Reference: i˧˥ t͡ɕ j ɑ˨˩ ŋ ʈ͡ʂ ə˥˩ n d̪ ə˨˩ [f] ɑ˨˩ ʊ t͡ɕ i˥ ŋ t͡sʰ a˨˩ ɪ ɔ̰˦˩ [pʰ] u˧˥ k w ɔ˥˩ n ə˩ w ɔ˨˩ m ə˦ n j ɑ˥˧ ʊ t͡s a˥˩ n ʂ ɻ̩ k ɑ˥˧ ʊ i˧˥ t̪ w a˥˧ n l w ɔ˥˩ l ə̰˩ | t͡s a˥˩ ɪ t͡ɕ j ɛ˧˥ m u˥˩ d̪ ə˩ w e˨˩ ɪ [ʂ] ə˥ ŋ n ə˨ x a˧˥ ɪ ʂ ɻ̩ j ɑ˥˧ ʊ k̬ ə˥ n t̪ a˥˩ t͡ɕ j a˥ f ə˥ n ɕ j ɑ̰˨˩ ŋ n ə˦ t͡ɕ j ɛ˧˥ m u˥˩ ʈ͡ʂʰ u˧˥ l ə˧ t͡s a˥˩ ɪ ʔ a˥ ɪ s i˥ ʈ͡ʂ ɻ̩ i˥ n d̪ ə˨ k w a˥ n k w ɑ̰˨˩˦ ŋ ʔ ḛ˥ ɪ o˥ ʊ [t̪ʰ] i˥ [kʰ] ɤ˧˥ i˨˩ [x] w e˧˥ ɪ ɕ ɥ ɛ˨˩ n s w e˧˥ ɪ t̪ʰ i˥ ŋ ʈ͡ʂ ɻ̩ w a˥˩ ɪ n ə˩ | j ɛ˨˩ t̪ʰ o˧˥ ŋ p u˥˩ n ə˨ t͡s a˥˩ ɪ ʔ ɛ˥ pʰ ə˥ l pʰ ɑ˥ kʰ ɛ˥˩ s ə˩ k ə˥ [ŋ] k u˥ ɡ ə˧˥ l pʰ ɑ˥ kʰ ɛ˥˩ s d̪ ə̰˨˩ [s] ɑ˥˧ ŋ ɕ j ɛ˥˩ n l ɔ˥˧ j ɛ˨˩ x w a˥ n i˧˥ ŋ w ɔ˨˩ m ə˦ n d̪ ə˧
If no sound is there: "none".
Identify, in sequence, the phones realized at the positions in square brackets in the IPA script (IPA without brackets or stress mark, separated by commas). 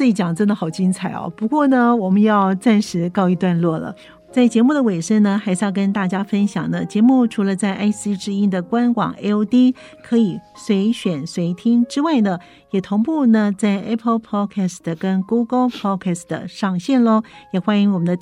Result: x, p, ʂ, t̪, kʰ, s, n, ʂ